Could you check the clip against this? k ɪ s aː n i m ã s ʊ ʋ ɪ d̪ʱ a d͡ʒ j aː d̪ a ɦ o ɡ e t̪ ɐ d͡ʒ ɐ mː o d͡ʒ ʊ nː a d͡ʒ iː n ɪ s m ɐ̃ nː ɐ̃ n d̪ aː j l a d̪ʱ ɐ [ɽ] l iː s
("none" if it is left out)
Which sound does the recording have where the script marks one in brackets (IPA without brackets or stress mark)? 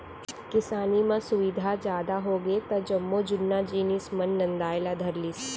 ɾ